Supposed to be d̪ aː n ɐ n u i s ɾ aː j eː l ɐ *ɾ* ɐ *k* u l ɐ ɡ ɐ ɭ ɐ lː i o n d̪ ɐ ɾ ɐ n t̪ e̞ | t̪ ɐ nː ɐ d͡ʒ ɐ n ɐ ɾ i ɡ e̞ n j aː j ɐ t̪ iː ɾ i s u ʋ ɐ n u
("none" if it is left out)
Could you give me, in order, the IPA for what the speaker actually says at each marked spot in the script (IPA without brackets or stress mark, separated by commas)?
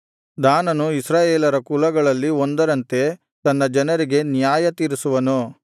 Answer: ɾ, k